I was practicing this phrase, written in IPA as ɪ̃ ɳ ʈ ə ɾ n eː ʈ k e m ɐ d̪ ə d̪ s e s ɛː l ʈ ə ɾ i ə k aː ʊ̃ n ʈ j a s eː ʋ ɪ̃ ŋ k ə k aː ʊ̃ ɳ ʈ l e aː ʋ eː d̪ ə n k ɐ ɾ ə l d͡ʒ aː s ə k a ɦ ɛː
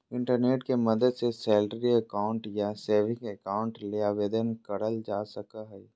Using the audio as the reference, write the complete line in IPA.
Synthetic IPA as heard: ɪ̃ ɳ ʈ ə ɾ n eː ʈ k e m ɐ d̪ ə d̪ s e s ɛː l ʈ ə ɾ i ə k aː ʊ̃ ɳ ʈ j a s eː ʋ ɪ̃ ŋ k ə k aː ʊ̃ ɳ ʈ l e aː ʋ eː d̪ ə n k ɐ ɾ ə l d͡ʒ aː s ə k a ɦ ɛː